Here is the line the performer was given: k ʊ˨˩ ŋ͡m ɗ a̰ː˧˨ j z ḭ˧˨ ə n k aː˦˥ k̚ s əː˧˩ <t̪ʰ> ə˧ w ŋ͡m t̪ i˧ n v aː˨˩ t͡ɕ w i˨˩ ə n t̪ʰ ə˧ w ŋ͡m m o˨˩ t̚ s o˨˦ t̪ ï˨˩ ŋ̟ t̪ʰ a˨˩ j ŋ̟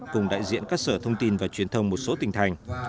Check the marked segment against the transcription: correct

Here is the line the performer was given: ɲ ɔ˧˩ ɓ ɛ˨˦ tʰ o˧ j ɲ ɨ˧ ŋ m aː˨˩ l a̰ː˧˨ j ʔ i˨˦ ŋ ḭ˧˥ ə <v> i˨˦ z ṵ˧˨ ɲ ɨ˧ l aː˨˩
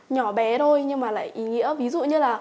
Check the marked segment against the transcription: correct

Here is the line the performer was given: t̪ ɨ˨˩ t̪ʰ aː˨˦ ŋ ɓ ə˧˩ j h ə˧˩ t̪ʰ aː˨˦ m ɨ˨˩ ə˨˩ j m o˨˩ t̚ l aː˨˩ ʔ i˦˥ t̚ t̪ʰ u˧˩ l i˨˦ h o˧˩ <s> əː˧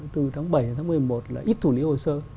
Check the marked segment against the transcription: correct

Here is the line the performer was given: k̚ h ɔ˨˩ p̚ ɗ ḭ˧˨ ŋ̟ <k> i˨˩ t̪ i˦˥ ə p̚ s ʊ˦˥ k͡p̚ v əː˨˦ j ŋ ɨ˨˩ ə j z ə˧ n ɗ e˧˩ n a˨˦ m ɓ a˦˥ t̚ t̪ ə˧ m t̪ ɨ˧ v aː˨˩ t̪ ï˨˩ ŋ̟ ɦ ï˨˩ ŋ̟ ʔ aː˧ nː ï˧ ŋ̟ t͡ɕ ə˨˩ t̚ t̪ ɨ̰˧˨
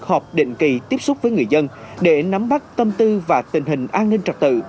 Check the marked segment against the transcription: correct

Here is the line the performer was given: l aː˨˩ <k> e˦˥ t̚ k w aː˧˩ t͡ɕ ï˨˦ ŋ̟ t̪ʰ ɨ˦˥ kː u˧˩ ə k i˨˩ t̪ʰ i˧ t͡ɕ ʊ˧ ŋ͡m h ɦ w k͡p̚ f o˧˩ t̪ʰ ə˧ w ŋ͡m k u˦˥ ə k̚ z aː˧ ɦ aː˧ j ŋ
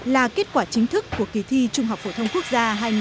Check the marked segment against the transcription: correct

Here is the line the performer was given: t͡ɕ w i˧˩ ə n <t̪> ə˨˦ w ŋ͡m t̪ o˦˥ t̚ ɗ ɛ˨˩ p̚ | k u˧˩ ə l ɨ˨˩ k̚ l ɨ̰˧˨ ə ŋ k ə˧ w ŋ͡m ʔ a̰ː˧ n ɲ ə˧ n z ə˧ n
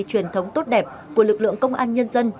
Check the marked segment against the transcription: incorrect: t̪ʰ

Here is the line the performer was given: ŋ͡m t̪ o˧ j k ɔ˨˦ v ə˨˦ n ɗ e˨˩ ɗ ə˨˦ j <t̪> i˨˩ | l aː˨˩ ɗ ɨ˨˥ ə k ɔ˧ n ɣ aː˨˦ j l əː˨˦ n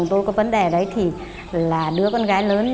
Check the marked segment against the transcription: incorrect: t̪ʰ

